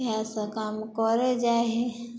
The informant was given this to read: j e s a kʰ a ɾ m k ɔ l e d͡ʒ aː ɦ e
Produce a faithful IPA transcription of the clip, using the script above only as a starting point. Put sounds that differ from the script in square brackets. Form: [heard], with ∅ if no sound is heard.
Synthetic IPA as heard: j [a] s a [k] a [∅] m k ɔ [ɾ] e d͡ʒ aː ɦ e

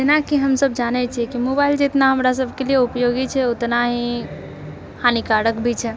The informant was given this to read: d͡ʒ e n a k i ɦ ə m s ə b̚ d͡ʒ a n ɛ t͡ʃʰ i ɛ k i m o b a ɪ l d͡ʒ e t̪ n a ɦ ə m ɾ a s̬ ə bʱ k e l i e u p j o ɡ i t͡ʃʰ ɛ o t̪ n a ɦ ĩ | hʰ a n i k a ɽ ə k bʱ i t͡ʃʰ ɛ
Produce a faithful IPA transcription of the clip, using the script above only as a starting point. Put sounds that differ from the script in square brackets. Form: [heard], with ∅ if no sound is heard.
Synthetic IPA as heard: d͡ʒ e n a k i ɦ ə m s ə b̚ d͡ʒ a n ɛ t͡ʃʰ i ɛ k i m o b a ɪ l d͡ʒ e t̪ n a ɦ ə m ɾ a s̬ ə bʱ k e l i e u p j o ɡ i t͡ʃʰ ɛ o t̪ n a ɦ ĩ | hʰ a n i k a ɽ ə k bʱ i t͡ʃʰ ɛ

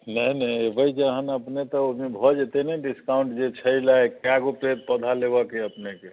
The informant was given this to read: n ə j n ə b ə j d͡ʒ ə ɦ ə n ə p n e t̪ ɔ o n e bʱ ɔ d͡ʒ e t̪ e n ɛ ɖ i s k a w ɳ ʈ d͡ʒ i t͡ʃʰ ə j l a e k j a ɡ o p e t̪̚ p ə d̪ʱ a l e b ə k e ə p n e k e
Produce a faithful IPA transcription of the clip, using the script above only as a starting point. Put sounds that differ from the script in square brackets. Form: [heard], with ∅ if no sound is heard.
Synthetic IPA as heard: n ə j n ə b ə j d͡ʒ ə ɦ ə n ə p n e t̪ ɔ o [m] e bʱ ɔ d͡ʒ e t̪ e n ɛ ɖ i s k a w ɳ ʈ d͡ʒ [e] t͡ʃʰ ə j l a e k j a ɡ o p e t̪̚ p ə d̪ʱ a l e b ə k e ə p n e k e

